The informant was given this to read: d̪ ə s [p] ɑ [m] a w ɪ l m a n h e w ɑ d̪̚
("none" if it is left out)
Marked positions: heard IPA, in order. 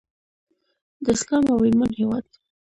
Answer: k, m

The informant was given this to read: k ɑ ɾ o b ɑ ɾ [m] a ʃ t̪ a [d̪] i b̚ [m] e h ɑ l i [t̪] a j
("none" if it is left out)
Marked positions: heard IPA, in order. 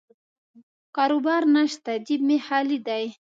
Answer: n, d̪, m, d̪

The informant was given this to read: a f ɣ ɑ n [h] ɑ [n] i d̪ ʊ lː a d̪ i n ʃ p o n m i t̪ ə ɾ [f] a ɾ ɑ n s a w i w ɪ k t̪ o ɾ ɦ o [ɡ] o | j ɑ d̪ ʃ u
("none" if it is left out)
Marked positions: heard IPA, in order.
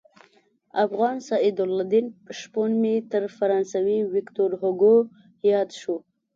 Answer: s, none, f, ɡ

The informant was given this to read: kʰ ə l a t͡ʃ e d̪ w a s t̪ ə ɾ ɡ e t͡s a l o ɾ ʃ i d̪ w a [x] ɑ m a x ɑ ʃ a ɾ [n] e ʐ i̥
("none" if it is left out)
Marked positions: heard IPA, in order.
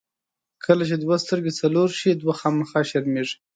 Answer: x, m

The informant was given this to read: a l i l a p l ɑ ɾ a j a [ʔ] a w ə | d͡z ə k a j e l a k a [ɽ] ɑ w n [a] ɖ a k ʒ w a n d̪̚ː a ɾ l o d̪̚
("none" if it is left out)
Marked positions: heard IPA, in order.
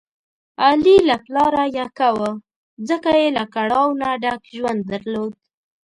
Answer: k, ɽ, a

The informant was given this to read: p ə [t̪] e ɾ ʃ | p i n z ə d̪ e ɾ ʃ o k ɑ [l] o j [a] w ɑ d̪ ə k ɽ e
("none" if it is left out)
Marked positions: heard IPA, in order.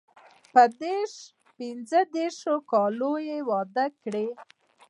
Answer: d̪, l, e

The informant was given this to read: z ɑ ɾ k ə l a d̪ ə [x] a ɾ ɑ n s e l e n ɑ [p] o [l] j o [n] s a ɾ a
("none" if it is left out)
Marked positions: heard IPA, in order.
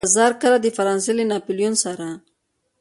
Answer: f, p, l, n

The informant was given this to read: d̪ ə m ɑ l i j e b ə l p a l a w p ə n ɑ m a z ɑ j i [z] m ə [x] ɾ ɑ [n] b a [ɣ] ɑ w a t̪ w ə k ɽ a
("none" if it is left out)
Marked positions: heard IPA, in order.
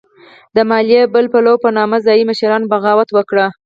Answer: none, ʃ, n, ɣ

